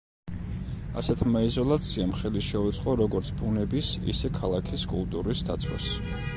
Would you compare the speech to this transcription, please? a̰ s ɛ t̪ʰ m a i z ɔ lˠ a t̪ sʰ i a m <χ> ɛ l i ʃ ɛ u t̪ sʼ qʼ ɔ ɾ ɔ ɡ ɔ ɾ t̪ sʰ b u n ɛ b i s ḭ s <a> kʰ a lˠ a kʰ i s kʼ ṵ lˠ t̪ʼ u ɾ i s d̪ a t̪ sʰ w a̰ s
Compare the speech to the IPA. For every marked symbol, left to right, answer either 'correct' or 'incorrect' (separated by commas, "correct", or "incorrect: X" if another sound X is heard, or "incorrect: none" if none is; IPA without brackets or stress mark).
correct, incorrect: ɛ